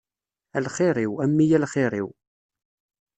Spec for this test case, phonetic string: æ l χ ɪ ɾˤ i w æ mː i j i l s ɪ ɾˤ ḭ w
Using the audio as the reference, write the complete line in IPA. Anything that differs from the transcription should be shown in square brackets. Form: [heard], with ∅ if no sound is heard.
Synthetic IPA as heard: æ l χ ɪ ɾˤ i w æ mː i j [æ] l [χ] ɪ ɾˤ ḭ w